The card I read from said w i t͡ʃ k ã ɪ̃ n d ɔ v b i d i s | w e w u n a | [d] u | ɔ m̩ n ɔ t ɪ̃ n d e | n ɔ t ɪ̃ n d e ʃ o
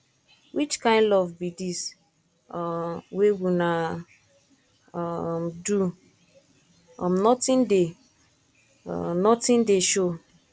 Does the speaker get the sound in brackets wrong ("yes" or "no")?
no